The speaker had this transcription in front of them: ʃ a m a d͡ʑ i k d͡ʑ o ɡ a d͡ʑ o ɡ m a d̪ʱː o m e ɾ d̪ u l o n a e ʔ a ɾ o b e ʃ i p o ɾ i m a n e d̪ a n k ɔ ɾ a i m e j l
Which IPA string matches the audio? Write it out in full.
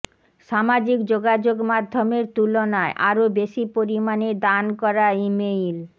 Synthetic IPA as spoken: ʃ a m a d͡ʑ i k d͡ʑ o ɡ a d͡ʑ o ɡ m a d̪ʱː o m e ɾ t̪ u l o n a e ʔ a ɾ o b e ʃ i p o ɾ i m a n e d̪ a n k ɔ ɾ a i m e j l